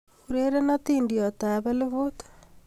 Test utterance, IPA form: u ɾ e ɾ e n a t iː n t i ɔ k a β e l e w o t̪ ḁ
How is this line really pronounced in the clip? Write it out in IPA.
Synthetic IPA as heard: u ɾ e ɾ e n a t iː n d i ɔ t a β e l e β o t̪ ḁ